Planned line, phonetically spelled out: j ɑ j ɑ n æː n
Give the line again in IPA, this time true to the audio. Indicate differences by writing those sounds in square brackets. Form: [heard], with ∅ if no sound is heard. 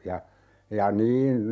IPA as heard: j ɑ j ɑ n [iː] n